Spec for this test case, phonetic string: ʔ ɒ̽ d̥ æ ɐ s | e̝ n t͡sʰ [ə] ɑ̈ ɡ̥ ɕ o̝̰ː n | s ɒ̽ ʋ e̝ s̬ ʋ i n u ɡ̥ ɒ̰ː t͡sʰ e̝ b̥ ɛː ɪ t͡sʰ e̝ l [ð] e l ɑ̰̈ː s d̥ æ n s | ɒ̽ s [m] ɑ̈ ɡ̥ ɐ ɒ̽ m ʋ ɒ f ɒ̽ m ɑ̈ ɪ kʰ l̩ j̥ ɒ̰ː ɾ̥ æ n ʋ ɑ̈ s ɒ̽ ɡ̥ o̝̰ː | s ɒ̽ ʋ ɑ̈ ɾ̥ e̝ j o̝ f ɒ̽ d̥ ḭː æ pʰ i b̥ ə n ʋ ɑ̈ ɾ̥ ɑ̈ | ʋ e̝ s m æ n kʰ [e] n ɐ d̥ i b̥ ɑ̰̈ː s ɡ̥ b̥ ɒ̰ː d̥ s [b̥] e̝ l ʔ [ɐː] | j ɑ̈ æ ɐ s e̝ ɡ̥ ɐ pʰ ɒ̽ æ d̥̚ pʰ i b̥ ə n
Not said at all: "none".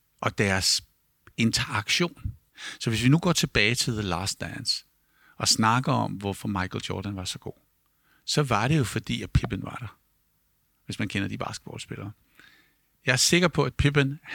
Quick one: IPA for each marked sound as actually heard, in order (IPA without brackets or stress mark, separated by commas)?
ɐ, ð, n, e, b̥, ɐː